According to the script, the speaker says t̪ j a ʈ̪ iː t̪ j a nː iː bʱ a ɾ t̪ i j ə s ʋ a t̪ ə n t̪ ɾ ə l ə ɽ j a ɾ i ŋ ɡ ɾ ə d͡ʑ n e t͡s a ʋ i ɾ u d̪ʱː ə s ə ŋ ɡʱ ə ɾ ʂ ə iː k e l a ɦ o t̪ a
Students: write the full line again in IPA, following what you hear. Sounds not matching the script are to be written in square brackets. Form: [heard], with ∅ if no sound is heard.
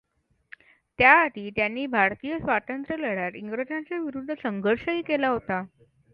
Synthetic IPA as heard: t̪ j a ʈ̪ iː t̪ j a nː iː bʱ a ɾ t̪ i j ə s ʋ a t̪ ə n t̪ ɾ ə l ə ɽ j a ɾ i ŋ ɡ ɾ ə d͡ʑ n [a] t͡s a ʋ i ɾ u d̪ʱː ə s ə ŋ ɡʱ ə ɾ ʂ ə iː k e l a ɦ o t̪ a

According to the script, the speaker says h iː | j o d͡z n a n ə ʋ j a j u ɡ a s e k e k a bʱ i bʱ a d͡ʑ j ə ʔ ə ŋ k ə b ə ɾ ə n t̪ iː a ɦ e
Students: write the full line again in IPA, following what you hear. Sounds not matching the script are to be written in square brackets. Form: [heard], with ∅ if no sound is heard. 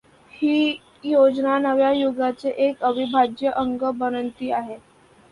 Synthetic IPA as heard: h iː | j o d͡z n a n ə ʋ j a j u ɡ a [t͡s] e [ʔ] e k [ə] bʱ i bʱ a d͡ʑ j ə ʔ ə ŋ [ɡ] ə b ə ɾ ə n t̪ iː a ɦ e

